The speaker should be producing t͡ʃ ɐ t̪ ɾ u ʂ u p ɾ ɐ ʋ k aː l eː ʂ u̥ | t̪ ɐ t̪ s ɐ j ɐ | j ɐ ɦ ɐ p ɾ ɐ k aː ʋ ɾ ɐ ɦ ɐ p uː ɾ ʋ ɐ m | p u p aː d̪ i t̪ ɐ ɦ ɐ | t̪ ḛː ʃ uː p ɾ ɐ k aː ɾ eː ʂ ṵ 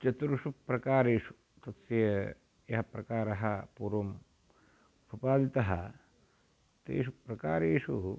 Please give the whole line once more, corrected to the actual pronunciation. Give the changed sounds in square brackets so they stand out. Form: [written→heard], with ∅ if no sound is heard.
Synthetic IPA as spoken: t͡ʃ ɐ t̪ ɾ u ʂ u p ɾ ɐ [ʋ→∅] k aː [l→ɾ] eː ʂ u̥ | t̪ ɐ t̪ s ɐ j ɐ | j ɐ ɦ ɐ p ɾ ɐ k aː [ʋ→∅] ɾ ɐ ɦ ɐ p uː ɾ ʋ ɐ m | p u p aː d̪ i t̪ ɐ ɦ ɐ | t̪ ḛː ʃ [uː→u] p ɾ ɐ k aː ɾ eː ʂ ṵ